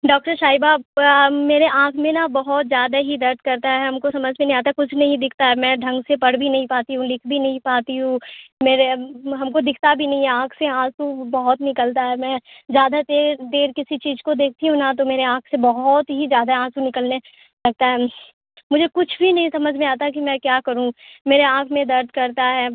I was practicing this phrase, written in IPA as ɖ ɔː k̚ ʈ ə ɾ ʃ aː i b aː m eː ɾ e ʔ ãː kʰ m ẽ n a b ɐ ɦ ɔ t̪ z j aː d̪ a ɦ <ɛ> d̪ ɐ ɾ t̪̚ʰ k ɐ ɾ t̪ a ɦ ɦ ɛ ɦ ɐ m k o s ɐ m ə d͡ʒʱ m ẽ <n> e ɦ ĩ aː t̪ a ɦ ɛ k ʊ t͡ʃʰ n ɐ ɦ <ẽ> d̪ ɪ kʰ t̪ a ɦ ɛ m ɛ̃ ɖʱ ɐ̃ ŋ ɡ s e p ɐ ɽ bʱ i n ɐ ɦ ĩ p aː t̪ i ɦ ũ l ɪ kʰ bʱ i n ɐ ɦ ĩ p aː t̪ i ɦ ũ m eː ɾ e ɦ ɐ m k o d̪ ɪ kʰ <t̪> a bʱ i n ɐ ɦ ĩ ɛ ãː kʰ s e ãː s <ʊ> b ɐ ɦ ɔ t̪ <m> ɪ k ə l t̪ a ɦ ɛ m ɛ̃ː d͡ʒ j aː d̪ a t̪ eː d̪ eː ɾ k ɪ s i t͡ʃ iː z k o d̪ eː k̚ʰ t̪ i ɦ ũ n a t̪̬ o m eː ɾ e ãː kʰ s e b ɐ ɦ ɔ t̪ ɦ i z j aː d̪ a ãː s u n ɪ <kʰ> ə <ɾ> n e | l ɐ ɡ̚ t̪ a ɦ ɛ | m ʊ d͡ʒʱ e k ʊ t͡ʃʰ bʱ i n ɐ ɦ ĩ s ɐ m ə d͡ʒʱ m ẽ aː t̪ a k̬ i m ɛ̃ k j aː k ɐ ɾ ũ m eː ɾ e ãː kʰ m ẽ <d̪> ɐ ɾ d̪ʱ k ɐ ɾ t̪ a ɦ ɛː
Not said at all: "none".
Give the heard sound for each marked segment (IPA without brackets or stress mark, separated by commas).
i, n, ĩ, t̪, u, n, k, l, d̪